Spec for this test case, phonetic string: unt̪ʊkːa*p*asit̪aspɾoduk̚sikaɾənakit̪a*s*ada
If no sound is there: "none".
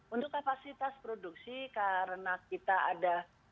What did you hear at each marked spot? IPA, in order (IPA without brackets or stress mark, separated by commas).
p, none